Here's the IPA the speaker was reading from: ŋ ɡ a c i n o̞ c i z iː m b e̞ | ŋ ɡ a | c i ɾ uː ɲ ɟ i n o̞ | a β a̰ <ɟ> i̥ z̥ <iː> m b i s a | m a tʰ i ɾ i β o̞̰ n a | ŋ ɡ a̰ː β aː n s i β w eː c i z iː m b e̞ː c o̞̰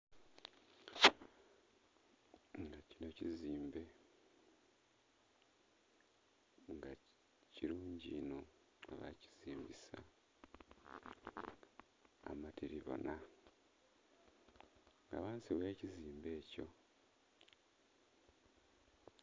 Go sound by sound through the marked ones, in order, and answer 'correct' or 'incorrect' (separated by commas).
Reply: incorrect, correct